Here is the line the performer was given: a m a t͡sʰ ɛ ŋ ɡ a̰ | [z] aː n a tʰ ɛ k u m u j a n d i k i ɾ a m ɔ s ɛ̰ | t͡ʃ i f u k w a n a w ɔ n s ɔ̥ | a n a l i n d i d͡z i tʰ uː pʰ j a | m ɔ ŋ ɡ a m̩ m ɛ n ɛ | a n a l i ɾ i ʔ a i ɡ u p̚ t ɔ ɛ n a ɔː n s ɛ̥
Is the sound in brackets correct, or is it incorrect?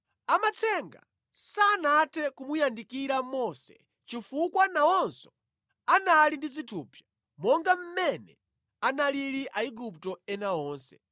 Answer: incorrect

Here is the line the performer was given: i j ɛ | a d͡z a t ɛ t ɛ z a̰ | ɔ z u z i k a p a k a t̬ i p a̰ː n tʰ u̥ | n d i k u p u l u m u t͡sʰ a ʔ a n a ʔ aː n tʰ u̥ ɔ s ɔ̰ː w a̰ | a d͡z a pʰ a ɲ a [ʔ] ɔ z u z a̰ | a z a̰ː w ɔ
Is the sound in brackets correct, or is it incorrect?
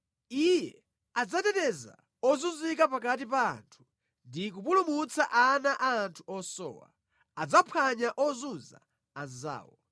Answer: correct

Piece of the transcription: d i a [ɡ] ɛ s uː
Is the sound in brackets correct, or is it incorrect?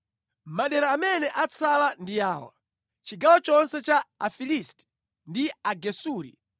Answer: correct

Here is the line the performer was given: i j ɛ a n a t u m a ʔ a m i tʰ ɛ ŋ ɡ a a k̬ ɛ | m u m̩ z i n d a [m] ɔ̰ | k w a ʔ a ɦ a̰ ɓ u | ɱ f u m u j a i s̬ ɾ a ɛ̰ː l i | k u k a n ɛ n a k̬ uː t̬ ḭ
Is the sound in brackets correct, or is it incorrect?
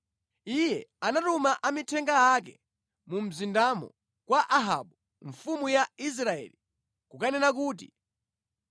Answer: correct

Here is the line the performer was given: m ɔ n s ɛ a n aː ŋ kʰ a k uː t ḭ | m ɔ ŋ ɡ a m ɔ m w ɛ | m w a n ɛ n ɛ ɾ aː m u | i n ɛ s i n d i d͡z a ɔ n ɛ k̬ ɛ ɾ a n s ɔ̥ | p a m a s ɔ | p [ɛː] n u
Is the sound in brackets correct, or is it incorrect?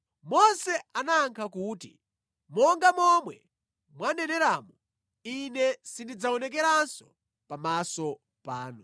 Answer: incorrect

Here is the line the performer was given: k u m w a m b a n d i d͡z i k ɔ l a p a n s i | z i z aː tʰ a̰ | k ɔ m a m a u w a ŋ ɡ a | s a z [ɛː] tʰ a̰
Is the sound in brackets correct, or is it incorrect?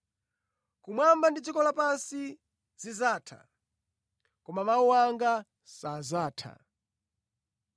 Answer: incorrect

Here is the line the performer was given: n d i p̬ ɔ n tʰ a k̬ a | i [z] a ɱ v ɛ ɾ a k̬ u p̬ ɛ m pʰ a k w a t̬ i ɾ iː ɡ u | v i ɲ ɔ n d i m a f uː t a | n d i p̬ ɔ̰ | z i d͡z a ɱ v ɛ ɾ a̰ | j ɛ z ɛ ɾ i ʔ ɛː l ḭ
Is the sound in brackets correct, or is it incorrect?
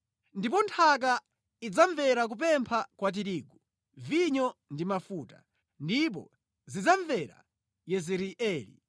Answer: incorrect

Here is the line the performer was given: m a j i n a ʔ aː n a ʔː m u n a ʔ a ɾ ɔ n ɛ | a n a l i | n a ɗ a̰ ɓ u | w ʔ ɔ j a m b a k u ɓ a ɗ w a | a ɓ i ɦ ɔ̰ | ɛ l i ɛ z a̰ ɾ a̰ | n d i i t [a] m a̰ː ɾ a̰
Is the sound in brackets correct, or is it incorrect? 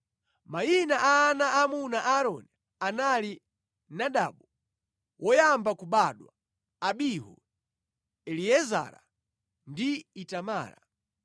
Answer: correct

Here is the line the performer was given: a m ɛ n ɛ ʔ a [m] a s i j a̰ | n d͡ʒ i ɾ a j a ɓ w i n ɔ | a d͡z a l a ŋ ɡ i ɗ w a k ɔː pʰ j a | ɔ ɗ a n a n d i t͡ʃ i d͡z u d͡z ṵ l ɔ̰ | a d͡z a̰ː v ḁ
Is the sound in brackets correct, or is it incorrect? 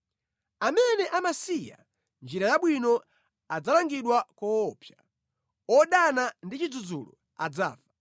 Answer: correct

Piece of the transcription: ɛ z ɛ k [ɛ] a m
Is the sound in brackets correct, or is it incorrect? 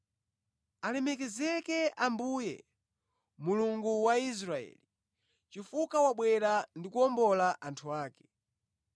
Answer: correct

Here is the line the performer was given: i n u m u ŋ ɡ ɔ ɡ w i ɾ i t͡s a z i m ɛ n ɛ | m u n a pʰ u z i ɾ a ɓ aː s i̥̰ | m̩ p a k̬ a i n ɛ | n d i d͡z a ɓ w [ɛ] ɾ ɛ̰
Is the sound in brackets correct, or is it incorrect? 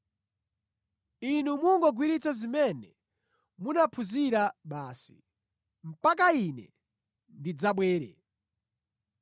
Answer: incorrect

